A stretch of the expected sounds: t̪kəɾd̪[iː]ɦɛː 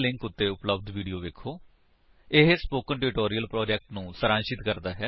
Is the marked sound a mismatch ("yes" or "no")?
yes